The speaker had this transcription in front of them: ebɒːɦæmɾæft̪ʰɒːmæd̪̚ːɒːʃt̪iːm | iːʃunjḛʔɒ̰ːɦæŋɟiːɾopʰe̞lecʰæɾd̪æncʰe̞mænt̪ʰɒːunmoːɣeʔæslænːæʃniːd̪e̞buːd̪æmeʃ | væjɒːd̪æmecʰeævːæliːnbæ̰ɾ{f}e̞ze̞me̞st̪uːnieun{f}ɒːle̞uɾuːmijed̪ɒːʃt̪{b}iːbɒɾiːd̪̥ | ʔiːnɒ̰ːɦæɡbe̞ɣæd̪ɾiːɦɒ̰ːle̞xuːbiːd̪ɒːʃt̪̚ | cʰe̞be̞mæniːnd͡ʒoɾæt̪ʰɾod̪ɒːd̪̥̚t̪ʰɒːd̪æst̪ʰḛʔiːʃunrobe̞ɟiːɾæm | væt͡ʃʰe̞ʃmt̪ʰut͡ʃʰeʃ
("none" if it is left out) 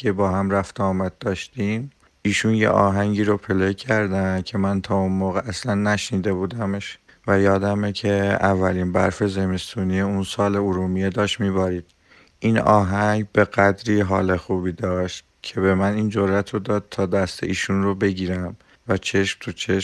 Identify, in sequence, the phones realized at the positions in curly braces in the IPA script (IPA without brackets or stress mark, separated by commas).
f, s, m